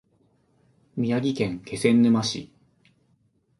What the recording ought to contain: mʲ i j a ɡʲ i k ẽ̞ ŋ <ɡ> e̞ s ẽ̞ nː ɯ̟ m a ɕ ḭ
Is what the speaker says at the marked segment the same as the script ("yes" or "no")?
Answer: no